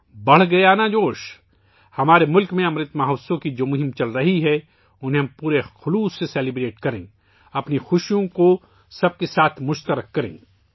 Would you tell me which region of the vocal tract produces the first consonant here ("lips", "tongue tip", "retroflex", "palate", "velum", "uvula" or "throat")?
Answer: lips